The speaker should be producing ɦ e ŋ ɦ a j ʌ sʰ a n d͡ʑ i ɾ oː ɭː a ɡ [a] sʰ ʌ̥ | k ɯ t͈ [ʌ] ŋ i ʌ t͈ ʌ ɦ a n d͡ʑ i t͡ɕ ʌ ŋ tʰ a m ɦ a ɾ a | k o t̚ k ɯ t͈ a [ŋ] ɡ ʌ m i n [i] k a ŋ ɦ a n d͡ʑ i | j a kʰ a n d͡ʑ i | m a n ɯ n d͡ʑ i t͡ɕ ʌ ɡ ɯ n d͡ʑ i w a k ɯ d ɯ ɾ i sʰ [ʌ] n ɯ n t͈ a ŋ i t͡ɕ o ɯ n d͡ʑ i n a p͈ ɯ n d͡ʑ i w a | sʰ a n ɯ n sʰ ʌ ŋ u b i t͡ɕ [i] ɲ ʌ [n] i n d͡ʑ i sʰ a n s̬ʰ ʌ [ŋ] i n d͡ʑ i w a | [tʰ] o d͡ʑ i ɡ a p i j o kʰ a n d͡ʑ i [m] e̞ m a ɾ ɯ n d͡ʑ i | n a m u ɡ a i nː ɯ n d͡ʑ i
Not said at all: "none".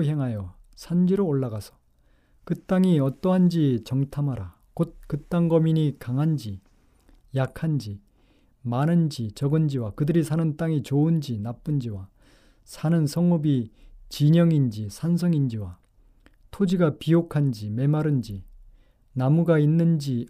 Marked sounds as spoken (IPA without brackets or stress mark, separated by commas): a, a, ŋ, i, a, i, ŋ, ŋ, tʰ, m